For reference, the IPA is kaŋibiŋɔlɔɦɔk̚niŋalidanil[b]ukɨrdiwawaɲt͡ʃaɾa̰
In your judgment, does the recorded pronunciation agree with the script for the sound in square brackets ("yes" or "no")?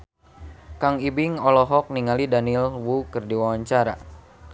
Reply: no